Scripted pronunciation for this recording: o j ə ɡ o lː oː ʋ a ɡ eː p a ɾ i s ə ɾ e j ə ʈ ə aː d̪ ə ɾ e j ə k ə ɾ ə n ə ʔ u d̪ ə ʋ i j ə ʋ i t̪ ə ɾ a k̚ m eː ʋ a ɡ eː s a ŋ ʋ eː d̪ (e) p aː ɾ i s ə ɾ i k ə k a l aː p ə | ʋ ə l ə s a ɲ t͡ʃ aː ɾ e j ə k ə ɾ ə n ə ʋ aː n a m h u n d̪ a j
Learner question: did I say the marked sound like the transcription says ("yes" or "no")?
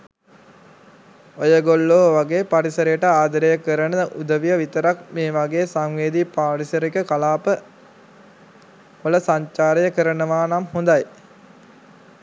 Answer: no